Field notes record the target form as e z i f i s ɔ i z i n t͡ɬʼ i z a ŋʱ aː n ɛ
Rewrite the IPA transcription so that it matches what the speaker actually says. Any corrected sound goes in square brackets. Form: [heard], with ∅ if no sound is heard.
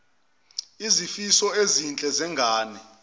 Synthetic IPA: [i] z i f i s ɔ [e] z i n t͡ɬʼ [ɛ] z [ɛ] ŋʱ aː n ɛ